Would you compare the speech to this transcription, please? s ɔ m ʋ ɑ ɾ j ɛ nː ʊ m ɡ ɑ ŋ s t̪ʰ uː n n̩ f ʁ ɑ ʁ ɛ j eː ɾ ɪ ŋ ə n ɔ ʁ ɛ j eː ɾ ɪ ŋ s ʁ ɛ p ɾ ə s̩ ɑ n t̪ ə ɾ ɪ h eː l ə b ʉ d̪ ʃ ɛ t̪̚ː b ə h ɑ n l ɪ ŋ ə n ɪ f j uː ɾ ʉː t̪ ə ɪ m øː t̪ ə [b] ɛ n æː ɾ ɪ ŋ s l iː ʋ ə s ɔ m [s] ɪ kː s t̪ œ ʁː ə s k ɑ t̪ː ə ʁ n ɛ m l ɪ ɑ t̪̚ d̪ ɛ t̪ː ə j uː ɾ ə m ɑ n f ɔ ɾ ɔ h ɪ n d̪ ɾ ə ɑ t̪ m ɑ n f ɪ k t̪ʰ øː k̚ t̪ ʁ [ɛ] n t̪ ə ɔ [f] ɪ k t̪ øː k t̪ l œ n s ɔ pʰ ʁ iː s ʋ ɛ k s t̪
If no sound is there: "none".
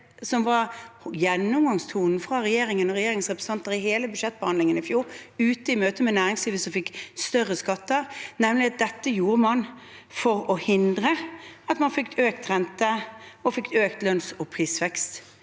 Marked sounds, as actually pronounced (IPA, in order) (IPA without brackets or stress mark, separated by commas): m, f, ɛ, f